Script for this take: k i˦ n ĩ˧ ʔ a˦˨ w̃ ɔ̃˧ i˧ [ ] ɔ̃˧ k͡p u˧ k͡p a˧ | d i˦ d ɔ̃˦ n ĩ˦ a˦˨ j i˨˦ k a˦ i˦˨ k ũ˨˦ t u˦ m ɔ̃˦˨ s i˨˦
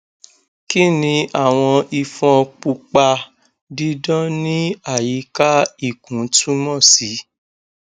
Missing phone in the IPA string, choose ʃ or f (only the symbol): f